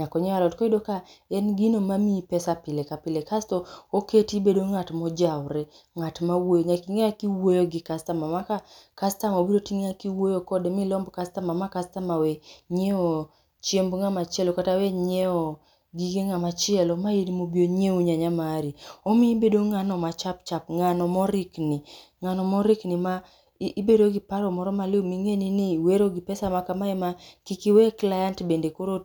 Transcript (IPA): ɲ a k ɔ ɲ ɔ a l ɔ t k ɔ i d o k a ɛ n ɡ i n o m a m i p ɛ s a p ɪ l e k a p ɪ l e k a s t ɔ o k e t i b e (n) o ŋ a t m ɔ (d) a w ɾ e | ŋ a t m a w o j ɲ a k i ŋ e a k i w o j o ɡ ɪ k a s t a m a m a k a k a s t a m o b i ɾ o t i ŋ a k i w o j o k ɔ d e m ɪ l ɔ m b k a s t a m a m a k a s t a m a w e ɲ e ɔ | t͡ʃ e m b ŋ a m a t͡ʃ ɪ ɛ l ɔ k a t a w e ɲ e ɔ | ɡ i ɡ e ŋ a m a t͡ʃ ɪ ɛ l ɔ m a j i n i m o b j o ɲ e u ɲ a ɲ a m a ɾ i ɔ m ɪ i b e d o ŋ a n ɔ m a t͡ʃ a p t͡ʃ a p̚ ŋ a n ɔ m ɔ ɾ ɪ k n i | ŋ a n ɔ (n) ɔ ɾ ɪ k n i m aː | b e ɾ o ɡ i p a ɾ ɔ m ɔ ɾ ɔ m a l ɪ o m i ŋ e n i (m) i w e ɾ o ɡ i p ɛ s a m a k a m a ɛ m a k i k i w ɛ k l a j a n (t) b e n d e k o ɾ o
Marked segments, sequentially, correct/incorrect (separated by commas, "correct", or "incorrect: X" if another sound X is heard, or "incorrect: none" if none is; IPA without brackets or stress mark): incorrect: d, incorrect: d͡ʒ, incorrect: m, incorrect: n, correct